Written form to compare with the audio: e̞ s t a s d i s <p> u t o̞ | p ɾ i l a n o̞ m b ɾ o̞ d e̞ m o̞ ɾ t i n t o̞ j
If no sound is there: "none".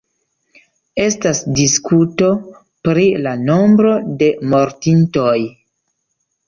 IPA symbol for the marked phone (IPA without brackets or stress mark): k